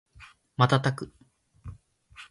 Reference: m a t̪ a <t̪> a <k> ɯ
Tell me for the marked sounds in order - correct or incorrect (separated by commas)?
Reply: correct, correct